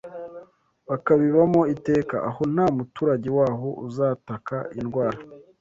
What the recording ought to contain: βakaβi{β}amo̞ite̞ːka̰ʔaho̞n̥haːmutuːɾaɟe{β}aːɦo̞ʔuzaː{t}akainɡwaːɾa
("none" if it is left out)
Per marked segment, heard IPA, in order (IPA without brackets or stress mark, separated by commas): β, w, t